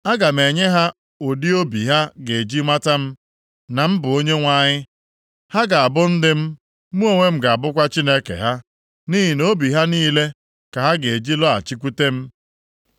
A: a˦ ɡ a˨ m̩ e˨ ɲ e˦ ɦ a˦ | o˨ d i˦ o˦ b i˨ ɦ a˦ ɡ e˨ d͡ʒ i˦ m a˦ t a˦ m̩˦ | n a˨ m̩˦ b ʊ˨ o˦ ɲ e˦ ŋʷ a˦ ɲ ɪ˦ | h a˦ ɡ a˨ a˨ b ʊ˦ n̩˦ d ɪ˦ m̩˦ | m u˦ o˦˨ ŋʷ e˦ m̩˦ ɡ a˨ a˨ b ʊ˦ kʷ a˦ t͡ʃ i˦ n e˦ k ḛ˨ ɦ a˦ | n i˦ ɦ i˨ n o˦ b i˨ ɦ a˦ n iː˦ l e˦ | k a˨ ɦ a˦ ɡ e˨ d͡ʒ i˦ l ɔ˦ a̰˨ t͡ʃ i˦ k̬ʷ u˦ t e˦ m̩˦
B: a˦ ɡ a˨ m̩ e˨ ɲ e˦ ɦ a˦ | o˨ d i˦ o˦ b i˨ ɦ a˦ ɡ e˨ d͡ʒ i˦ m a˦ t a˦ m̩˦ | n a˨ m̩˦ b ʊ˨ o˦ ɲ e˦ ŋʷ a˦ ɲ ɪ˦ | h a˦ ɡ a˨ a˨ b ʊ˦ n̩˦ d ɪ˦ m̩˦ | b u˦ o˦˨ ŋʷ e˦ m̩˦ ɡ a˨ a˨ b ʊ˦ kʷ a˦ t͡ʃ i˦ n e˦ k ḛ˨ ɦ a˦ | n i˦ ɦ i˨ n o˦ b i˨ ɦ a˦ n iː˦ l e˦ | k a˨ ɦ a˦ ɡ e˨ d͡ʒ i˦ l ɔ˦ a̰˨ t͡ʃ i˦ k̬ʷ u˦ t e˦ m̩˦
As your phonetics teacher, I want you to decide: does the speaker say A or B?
A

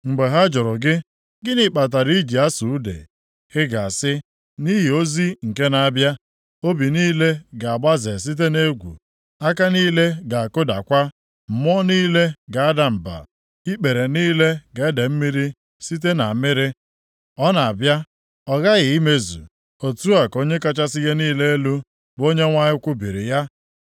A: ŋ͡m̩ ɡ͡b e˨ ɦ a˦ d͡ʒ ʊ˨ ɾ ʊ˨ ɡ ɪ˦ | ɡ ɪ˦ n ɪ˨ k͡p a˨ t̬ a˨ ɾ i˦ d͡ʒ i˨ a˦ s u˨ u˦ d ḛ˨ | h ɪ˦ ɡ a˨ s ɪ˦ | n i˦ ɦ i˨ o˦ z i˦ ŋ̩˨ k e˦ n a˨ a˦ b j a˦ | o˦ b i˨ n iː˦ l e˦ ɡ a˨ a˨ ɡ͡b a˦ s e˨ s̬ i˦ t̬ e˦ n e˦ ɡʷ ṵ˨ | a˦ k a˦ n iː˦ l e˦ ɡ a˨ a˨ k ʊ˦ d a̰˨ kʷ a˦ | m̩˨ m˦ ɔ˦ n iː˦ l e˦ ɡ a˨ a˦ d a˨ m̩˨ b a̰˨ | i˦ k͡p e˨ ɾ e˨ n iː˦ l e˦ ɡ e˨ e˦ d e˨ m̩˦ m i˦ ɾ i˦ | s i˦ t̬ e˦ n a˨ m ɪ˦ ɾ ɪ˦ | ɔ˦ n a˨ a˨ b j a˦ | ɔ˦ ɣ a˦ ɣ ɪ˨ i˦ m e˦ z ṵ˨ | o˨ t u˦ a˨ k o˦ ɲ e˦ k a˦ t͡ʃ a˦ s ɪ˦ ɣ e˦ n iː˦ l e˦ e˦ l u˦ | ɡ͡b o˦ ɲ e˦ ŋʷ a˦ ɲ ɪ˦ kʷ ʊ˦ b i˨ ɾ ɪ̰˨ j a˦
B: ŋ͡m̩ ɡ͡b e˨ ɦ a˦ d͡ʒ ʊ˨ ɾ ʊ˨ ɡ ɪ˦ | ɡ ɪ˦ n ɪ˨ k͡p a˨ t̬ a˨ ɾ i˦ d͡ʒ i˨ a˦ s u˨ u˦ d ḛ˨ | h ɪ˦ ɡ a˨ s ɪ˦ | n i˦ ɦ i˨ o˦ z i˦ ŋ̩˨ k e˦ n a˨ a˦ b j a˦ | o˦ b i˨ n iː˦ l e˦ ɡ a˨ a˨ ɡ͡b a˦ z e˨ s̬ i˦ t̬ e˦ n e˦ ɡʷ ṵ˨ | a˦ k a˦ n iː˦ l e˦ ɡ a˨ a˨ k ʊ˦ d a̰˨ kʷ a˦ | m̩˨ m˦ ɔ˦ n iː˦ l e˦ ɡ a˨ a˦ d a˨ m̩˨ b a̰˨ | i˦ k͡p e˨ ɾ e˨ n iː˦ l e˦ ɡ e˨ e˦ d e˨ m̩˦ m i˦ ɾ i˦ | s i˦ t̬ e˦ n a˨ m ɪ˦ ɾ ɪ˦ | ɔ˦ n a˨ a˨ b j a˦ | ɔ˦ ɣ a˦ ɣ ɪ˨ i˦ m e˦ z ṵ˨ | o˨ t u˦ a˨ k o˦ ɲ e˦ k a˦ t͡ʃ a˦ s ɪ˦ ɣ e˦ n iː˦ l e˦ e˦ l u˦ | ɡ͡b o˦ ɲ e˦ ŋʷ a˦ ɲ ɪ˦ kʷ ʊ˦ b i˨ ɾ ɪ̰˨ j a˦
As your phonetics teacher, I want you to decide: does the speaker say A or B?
B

